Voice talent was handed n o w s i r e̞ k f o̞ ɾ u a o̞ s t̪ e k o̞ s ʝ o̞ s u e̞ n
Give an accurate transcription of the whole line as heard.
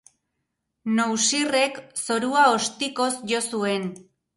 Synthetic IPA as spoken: n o w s i r e̞ k s o̞ ɾ u a o̞ s t̪ i k o̞ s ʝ o̞ s u e̞ n